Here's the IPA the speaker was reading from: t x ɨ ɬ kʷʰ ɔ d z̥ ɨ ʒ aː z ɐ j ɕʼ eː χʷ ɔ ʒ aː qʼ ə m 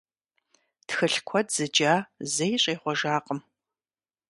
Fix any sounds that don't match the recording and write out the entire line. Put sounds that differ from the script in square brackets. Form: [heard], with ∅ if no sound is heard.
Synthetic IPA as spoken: t x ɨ ɬ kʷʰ ɔ d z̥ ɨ [d͡ʒ] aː z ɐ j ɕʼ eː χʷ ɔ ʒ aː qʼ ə m